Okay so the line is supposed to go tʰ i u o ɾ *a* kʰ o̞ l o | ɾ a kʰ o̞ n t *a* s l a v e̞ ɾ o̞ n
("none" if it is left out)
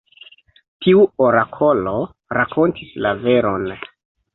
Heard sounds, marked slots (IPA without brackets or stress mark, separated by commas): a, i